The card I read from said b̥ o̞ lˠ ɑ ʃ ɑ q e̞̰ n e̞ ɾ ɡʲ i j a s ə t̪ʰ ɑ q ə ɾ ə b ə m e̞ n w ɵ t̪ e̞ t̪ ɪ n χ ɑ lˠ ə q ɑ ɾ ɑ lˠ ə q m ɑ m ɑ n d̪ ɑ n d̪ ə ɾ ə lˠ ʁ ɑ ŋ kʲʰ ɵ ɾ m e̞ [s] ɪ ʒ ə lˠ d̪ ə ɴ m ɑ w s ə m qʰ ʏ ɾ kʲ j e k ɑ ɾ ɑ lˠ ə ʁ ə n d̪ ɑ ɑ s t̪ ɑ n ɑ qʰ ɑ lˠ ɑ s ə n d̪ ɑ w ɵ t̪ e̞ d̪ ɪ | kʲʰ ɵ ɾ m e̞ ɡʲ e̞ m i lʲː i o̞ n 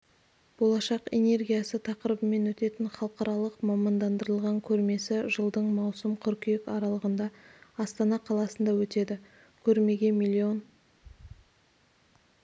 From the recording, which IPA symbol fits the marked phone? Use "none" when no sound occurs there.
s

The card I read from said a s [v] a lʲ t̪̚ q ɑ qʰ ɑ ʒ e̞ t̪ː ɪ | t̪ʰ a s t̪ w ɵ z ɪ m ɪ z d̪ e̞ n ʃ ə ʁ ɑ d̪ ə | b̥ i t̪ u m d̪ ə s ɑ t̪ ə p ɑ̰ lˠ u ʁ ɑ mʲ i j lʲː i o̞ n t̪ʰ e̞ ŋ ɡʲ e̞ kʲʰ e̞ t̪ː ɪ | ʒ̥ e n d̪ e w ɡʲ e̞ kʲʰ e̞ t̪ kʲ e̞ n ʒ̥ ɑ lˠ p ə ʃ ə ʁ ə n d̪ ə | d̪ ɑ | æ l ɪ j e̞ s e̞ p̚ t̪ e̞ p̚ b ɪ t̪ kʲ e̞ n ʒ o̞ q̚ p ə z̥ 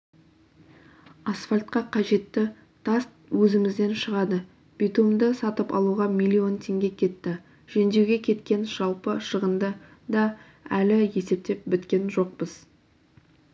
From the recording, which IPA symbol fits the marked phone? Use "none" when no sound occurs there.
f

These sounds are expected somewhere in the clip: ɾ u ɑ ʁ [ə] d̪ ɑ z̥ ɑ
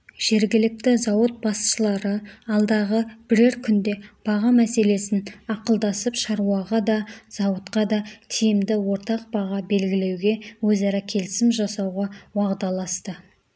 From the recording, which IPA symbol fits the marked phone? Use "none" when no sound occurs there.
ɑ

